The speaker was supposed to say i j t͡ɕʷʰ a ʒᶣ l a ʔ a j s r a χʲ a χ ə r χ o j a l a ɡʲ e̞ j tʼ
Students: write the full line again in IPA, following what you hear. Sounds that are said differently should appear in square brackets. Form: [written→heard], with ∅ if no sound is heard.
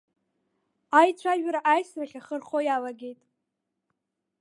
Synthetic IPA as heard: [i→a] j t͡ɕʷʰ a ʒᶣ [l→ɾ] a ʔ a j s r a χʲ a χ ə r χ o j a l a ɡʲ e̞ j tʼ